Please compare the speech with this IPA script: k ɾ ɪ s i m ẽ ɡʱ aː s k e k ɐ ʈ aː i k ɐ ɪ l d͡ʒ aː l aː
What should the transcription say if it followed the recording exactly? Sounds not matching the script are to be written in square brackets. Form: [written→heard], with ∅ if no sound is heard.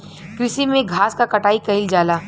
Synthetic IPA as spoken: k ɾ ɪ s i m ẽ ɡʱ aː s k [e→a] k ɐ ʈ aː i k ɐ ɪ l d͡ʒ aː l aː